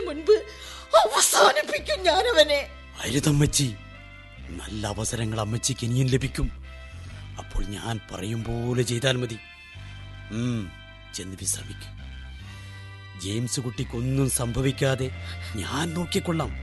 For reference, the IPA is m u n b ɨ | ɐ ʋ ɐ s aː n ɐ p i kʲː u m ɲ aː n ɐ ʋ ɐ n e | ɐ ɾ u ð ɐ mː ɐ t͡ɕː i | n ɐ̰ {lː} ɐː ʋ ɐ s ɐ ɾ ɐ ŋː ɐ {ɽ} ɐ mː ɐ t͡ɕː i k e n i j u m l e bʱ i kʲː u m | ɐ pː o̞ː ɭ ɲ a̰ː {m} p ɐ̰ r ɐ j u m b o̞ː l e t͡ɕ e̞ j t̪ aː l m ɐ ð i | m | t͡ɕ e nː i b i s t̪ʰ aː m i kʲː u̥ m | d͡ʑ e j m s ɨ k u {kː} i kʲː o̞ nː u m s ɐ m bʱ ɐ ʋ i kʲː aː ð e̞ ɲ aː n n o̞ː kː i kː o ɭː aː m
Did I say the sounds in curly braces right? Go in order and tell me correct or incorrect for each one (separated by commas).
correct, incorrect, incorrect, incorrect